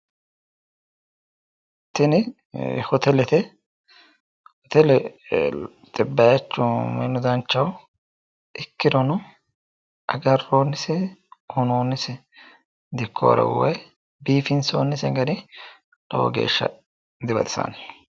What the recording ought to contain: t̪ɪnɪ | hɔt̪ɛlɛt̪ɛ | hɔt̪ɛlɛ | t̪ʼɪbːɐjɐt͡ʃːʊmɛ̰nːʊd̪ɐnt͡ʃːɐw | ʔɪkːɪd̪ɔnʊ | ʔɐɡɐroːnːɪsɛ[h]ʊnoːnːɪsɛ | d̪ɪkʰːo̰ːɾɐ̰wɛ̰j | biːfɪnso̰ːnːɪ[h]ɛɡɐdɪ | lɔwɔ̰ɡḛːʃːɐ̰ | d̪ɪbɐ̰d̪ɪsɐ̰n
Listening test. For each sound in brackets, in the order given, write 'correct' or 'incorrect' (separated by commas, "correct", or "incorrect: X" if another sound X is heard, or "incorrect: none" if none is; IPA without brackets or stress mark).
correct, incorrect: s